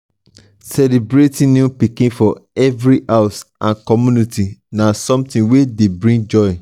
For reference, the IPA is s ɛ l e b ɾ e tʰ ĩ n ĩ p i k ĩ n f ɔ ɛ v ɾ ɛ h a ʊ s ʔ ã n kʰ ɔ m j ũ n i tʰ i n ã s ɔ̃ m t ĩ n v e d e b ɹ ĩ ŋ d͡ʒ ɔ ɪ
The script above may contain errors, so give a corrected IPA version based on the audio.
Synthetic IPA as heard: s ɛ l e b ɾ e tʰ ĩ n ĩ p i k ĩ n f ɔ ɛ v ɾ i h a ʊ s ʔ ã n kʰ ɔ m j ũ n i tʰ i n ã s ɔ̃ m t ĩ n w e d e b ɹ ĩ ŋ d͡ʒ ɔ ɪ

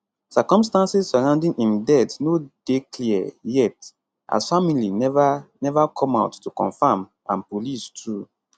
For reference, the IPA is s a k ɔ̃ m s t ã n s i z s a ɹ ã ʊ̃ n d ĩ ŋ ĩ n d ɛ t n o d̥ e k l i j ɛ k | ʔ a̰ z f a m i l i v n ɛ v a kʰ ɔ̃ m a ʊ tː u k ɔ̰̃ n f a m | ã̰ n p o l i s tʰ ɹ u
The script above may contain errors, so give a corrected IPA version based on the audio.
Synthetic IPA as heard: s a k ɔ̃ m s t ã n s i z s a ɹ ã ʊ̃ n d ĩ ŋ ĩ n d ɛ t n o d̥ e k l i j ɛ t | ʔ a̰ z f a m i l i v n ɛ v a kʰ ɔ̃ m a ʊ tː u k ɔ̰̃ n f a m | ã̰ n p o l i s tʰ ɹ u

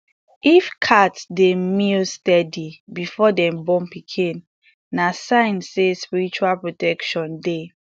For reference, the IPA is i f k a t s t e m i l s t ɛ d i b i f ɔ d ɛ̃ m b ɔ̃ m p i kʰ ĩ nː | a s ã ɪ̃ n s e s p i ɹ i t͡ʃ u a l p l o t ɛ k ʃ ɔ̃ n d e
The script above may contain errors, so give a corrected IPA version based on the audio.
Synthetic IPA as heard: i f kʰ a t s d e m i l s t ɛ d i b i f ɔ d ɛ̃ m b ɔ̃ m p i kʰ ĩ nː | a s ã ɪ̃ n s e s p i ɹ i t͡ʃ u a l p ɹ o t ɛ k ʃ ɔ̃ n d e

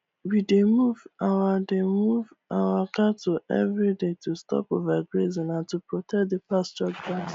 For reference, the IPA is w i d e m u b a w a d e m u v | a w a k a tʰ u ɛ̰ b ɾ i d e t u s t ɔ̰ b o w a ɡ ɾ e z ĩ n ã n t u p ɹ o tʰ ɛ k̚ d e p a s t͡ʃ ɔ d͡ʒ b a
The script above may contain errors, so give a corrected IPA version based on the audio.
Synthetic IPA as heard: w i d e m u v a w a d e m u v | a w a k a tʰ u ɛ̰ v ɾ i d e t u s t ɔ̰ p o v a ɡ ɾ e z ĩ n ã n t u p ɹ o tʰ ɛ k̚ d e p a s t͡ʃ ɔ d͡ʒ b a

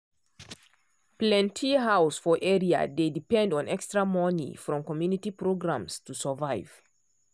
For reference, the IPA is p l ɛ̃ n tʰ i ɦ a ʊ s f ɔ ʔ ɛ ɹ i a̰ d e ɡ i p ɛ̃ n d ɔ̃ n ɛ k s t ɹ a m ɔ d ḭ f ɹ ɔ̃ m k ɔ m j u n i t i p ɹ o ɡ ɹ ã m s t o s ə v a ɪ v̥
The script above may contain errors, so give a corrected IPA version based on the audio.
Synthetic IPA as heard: p l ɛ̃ n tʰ i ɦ a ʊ s f ɔ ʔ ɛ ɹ i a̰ d e d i p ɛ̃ n d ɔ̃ n ɛ k s t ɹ a m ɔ n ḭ f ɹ ɔ̃ m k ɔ m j u n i t i p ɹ o ɡ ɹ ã m s t u s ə v a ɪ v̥

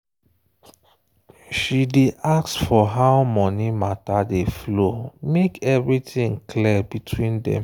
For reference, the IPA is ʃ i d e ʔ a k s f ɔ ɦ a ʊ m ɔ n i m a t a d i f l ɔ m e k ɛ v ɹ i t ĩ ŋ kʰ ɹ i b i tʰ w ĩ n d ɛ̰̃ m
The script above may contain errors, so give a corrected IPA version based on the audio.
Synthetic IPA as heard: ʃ i d e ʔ a k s f ɔ ɦ a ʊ m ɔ n i m a t a d e f l o m e k ɛ v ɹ i t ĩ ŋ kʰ l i b i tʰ w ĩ n d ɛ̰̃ m

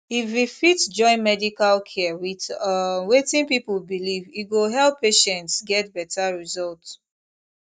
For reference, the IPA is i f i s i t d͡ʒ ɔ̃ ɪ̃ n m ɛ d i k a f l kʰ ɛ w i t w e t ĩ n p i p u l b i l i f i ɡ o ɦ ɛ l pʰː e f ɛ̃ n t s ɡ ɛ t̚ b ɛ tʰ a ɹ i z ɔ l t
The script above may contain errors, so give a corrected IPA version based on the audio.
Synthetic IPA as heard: i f i f i t d͡ʒ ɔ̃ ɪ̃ n m ɛ d i k a l kʰ ɛ w i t w e t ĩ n p i p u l b i l i v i ɡ o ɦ ɛ l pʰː e ʃ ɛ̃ n t s ɡ ɛ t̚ b ɛ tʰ a ɹ i z ɔ l t

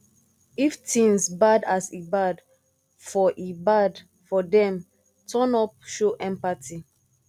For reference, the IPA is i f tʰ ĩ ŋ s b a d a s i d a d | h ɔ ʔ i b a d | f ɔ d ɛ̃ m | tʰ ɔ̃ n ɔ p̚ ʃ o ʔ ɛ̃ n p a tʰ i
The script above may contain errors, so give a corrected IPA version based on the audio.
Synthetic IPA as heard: i f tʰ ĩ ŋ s b a d a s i b a d | f ɔ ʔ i b a d | f ɔ d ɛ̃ m | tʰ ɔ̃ n ɔ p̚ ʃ o ʔ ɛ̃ m p a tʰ i

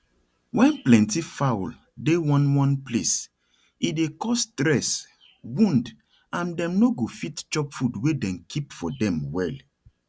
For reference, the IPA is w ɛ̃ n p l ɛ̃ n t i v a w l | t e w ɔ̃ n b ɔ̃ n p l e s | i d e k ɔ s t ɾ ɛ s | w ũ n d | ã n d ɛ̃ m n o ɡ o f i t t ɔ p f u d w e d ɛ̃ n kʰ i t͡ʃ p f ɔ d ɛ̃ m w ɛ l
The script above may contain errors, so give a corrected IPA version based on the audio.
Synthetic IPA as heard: w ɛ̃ n p l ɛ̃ n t i f a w l | d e w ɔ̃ n w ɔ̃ n p l e s | i d e k ɔ s t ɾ ɛ s | w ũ n d | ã n d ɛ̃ m n o ɡ o f i t t͡ʃ ɔ p f u d w e d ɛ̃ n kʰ i p f ɔ d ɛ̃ m w ɛ l

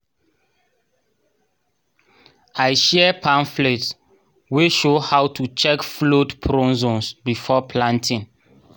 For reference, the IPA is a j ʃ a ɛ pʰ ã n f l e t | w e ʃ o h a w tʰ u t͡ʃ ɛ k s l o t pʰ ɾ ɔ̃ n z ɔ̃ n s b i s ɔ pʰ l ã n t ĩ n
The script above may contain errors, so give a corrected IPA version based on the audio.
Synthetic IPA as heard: a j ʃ ɛ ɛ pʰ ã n f l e t | w e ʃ o h a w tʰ u t͡ʃ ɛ k f l o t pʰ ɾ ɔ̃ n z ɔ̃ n s b i f ɔ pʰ l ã n t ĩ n

